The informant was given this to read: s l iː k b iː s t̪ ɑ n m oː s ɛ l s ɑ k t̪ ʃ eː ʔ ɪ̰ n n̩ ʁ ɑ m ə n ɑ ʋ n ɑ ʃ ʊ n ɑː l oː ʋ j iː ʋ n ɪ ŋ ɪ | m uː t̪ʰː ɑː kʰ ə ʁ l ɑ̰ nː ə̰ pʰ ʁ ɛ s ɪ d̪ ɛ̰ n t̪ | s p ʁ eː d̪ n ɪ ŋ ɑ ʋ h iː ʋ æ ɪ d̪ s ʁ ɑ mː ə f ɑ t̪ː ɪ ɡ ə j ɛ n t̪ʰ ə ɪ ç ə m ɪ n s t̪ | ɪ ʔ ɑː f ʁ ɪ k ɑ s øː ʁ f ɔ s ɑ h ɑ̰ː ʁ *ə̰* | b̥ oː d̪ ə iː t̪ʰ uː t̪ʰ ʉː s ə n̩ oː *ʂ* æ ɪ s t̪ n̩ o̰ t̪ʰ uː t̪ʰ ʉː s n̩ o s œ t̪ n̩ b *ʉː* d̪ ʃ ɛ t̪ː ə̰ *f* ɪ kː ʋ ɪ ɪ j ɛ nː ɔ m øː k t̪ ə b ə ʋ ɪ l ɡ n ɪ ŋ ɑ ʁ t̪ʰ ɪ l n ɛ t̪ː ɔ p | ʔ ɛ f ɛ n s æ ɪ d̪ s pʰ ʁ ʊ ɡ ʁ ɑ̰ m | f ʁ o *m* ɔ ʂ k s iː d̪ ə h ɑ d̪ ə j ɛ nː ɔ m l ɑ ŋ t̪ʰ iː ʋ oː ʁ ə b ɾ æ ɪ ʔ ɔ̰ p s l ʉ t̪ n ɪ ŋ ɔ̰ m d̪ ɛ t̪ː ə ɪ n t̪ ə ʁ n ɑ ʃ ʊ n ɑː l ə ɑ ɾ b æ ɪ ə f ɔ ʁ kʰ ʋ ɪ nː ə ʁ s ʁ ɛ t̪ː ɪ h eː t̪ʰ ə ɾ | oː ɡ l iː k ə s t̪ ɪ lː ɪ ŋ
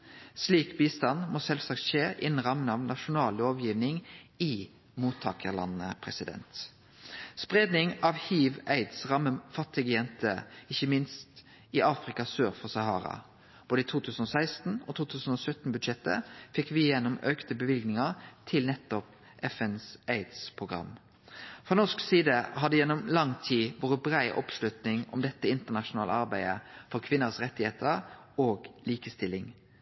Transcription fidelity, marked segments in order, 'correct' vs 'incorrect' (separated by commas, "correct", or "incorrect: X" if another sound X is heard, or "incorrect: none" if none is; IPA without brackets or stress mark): incorrect: ɑ̰, incorrect: s, incorrect: ʉ, correct, incorrect: n